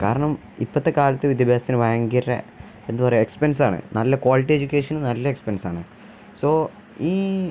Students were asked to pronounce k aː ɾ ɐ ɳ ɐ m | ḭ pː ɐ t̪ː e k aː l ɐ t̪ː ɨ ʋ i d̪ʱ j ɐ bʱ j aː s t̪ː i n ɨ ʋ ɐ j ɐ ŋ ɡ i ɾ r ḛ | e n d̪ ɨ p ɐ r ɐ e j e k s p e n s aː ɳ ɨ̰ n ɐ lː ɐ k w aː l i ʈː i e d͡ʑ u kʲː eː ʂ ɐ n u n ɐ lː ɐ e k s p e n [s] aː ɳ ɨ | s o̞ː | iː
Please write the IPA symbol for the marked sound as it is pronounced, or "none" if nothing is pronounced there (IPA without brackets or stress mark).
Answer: s